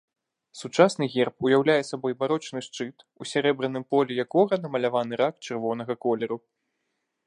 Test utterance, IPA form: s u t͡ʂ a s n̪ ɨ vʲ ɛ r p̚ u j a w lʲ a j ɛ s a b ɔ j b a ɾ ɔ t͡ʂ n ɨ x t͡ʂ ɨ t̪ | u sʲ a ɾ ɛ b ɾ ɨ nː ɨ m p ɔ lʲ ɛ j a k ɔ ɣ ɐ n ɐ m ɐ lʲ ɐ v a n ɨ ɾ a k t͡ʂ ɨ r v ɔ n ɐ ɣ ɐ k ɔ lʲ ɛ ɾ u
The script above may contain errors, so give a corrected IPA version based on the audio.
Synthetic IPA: s u t͡ʂ a s n̪ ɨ ɣʲ ɛ r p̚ u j a w lʲ a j ɛ s a b ɔ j b a ɾ ɔ t͡ʂ n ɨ ʂ t͡ʂ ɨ t̪ | u sʲ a ɾ ɛ b ɾ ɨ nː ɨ m p ɔ lʲ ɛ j a k ɔ ɣ ɐ n ɐ m ɐ lʲ a v a n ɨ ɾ a k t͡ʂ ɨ r v ɔ n ɐ ɣ ɐ k ɔ lʲ ɛ ɾ u